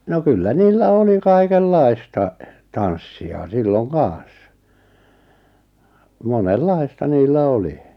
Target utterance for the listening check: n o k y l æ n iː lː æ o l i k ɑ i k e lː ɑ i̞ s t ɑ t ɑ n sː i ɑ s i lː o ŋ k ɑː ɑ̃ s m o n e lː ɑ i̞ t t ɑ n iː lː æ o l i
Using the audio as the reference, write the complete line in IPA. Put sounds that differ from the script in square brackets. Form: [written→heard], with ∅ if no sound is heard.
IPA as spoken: n o k y [l→lː] æ n iː lː æ o l i k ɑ i k e lː ɑ i̞ s t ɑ t ɑ n sː i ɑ s i lː o ŋ k ɑː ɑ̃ s m o n e lː ɑ i̞ [t→s] t ɑ n iː lː æ o l i